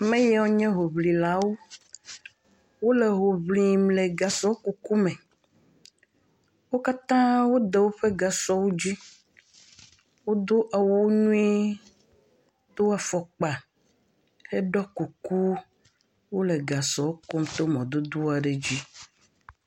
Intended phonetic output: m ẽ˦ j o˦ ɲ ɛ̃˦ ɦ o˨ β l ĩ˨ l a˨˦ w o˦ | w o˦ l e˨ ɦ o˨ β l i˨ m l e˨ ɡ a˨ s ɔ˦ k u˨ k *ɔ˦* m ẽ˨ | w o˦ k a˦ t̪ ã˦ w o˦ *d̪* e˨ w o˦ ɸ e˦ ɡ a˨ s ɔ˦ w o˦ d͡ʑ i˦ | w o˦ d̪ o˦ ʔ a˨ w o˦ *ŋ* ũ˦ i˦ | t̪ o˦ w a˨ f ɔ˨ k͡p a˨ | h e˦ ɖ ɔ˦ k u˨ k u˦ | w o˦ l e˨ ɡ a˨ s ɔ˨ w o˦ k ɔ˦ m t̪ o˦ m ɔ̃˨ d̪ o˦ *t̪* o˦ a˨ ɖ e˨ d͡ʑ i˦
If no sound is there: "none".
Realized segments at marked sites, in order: u˦, d̪, ɲ, d̪

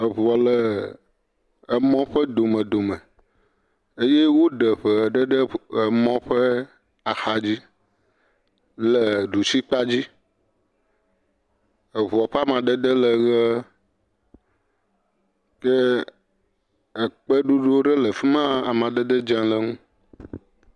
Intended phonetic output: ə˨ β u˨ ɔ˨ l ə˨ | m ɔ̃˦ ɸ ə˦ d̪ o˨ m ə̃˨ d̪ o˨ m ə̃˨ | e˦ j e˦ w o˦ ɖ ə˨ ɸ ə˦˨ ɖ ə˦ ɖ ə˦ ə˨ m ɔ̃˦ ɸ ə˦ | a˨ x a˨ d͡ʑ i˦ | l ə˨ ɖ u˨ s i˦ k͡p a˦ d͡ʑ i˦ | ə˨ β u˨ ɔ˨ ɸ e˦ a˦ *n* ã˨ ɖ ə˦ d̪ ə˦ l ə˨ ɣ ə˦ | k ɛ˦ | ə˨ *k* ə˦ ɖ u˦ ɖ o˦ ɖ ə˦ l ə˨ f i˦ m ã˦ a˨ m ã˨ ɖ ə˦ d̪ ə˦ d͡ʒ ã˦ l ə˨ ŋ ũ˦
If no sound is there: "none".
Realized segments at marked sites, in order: m, k͡p

